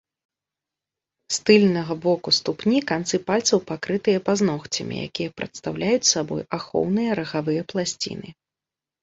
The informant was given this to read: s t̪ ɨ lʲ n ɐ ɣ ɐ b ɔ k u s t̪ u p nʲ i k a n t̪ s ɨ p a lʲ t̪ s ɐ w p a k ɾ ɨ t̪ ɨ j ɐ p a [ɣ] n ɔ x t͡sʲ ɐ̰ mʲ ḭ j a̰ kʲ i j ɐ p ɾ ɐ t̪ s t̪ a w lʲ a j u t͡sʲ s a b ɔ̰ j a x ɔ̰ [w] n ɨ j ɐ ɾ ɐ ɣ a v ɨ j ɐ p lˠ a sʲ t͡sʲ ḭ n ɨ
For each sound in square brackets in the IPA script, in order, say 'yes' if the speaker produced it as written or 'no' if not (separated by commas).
no, yes